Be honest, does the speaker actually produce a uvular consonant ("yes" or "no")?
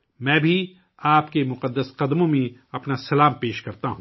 yes